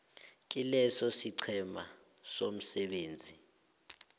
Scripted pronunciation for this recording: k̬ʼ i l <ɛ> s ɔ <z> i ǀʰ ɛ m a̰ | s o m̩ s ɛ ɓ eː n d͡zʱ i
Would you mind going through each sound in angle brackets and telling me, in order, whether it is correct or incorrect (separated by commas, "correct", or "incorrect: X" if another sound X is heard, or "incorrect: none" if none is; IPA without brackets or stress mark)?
correct, incorrect: s